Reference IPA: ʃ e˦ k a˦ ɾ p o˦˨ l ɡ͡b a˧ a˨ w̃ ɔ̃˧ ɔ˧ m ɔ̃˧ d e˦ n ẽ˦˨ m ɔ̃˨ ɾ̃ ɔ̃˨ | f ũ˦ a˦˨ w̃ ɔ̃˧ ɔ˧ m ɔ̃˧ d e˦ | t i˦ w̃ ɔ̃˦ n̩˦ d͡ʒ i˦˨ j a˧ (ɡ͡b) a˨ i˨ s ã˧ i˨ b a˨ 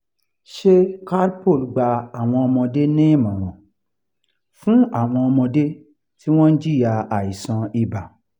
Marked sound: incorrect: none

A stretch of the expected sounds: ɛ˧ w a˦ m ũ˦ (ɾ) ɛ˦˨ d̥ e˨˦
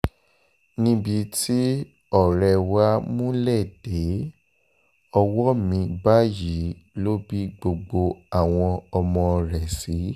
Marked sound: incorrect: l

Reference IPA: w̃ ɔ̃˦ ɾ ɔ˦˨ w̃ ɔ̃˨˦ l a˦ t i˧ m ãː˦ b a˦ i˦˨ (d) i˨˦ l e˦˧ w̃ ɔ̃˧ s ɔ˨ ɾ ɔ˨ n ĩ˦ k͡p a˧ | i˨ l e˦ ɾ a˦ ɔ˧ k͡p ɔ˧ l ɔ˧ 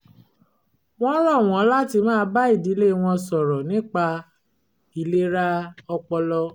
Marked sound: correct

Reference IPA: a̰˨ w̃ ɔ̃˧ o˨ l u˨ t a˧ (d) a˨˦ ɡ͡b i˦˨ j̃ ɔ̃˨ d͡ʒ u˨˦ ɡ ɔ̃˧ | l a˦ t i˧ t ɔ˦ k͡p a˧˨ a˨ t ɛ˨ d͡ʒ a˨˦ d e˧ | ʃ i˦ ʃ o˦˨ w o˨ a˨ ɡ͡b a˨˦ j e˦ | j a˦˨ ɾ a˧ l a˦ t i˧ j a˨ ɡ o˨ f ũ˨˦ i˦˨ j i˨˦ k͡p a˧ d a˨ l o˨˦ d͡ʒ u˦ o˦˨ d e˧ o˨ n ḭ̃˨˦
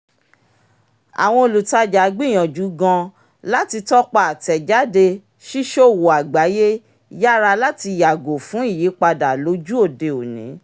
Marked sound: incorrect: d͡ʒ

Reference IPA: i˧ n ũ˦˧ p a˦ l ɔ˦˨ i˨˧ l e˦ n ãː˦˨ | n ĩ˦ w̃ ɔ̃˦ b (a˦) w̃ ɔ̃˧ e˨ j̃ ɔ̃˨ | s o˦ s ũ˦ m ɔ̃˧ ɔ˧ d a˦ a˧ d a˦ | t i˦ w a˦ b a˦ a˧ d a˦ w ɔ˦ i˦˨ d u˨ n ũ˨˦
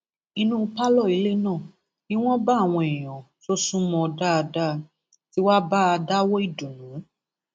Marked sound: incorrect: a˦˨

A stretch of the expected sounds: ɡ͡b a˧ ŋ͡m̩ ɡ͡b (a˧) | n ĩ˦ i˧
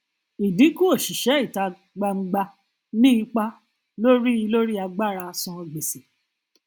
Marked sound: correct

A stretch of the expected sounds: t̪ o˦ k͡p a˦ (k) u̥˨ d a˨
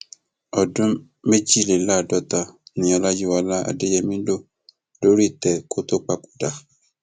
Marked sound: correct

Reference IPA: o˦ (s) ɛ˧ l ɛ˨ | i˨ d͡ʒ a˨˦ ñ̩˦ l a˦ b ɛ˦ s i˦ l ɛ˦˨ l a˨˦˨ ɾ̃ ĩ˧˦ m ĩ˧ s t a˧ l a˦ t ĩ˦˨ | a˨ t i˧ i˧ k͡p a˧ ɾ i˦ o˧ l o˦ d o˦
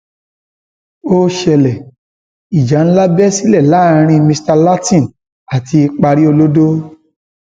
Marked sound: incorrect: ʃ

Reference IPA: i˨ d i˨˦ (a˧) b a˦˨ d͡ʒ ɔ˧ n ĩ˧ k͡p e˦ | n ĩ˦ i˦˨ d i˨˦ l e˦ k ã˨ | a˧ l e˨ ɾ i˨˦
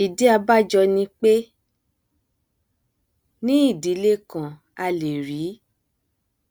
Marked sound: correct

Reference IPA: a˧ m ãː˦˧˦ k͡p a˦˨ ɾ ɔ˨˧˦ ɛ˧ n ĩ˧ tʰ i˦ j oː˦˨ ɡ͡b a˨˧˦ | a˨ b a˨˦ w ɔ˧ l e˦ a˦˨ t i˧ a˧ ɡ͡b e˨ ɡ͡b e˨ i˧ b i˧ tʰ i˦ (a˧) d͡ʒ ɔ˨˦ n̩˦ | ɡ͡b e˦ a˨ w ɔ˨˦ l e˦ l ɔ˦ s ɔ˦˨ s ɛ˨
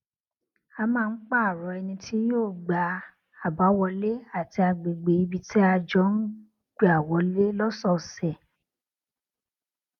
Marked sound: correct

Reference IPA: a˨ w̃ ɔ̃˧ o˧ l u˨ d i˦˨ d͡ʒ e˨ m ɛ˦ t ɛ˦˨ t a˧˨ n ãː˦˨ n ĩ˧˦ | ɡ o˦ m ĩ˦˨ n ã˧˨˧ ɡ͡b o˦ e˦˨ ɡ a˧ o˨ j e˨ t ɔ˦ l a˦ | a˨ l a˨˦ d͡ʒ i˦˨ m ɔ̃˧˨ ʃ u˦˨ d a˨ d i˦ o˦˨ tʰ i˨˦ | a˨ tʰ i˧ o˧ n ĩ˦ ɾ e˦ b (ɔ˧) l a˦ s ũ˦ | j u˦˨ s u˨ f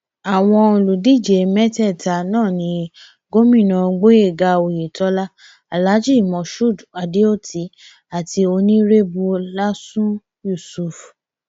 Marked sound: incorrect: u˧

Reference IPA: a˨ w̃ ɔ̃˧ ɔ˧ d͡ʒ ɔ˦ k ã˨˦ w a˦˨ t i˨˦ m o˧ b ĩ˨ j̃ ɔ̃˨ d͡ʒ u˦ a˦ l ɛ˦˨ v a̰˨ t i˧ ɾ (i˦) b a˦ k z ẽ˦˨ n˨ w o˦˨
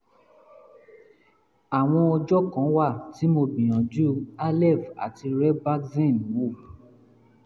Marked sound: incorrect: ɛ˦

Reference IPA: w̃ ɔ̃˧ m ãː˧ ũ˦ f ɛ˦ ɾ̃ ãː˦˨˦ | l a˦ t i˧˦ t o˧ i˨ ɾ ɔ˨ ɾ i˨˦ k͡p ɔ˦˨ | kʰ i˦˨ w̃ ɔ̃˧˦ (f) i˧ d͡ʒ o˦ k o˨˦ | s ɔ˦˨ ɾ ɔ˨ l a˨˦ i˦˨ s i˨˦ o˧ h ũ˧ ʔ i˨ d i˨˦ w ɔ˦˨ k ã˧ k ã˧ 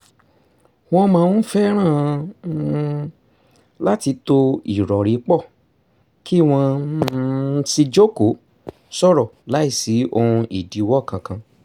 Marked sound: incorrect: s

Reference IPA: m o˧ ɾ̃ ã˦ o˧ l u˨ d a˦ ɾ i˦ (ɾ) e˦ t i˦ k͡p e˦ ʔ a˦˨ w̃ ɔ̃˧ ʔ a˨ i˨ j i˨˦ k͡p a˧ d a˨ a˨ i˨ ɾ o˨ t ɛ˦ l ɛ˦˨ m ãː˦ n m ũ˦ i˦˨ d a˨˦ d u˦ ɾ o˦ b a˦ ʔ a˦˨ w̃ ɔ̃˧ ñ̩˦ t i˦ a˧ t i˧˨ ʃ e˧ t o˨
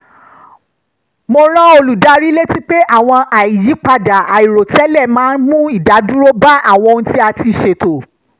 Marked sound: incorrect: l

